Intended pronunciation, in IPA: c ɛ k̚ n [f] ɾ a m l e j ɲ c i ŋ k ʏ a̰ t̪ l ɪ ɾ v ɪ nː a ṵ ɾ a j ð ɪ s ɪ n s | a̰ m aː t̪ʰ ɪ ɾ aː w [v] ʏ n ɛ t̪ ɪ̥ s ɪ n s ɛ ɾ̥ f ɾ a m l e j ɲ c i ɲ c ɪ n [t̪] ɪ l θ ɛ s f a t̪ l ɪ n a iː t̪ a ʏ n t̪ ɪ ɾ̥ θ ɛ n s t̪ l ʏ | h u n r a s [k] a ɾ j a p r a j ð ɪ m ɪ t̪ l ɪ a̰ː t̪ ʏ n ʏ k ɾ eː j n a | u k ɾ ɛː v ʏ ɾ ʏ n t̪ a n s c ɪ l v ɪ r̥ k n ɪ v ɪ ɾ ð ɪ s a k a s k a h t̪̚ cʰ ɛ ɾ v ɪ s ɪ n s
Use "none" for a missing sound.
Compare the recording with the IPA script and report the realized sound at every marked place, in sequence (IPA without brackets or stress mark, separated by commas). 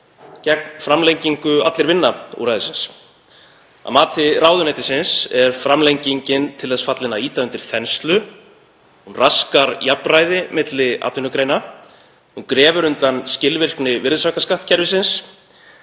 f, ð, t̪ʰ, k